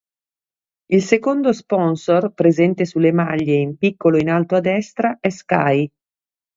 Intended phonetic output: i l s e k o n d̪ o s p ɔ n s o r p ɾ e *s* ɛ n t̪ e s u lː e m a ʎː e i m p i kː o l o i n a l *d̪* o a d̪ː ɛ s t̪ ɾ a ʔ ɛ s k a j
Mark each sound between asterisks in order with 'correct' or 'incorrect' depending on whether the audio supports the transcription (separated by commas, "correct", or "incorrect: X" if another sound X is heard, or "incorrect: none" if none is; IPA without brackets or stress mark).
incorrect: z, incorrect: t̪